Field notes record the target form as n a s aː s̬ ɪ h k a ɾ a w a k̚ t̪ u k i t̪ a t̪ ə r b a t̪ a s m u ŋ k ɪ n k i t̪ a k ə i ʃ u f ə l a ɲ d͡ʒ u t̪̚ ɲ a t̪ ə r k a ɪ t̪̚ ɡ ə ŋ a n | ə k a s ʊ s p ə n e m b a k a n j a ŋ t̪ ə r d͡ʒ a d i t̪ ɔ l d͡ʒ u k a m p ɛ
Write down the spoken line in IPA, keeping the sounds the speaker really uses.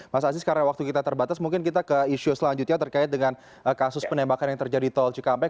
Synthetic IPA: m a s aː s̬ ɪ s k a ɾ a w a k̚ t̪ u k i t̪ a t̪ ə r b a t̪ a s m u ŋ k ɪ n k i t̪ a k ə i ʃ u s ə l a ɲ d͡ʒ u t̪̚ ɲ a t̪ ə r k a ɪ t̪̚ d ə ŋ a n | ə k a s ʊ s p ə n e m b a k a n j a ŋ t̪ ə r d͡ʒ a d i t̪ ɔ l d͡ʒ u k a m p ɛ